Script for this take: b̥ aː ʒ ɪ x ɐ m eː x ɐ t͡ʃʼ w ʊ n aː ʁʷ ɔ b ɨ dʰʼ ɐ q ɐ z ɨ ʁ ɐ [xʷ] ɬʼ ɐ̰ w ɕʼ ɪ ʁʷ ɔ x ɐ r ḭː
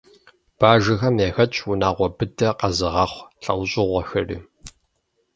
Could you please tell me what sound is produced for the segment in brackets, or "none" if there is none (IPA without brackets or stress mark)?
χʷ